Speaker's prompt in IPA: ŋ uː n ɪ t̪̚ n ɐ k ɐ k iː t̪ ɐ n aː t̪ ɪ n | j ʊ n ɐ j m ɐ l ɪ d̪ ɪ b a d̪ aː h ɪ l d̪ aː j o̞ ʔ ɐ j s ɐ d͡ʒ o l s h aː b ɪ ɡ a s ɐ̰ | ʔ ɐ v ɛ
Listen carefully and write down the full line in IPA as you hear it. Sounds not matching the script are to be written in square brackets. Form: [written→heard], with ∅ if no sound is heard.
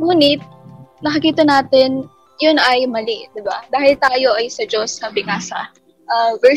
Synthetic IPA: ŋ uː n ɪ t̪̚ n ɐ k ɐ k iː t̪ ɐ n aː t̪ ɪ n | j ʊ n ɐ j m ɐ l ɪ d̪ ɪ b a d̪ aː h ɪ l [d̪→t̪] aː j o̞ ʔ ɐ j s ɐ d͡ʒ o [l→∅] s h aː b ɪ [ɡ→ŋ] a s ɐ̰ | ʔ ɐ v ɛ